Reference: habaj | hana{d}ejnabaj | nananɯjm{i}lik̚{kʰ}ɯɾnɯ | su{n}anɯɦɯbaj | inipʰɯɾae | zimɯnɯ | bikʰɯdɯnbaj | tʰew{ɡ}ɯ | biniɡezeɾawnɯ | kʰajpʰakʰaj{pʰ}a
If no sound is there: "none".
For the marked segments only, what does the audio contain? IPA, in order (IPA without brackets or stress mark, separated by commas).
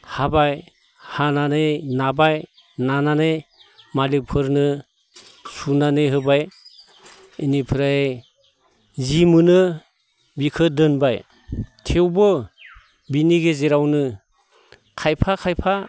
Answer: n, a, pʰ, n, b, pʰ